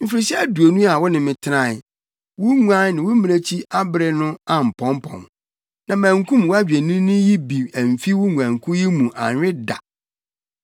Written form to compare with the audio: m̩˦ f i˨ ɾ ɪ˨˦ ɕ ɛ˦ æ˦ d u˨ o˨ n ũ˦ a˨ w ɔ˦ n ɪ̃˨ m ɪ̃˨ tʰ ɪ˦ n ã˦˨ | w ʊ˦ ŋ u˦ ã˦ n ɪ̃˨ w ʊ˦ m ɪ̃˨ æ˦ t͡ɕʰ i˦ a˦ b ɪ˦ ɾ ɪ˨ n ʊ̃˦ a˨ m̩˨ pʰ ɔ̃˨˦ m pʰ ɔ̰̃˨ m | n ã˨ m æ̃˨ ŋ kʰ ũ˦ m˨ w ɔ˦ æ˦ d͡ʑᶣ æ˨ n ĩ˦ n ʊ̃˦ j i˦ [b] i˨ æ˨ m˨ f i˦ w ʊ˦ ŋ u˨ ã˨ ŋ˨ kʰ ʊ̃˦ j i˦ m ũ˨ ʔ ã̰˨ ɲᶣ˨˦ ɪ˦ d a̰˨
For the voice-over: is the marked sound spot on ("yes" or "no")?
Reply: yes